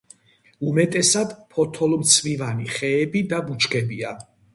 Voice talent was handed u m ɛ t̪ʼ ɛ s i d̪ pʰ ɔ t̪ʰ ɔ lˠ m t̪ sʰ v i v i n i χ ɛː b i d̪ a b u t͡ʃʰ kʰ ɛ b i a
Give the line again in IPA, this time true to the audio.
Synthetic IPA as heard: u m ɛ t̪ʼ ɛ s a d̪ pʰ ɔ t̪ʰ ɔ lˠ m t̪ sʰ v i v a n i χ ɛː b i d̪ a b u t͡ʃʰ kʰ ɛ b i a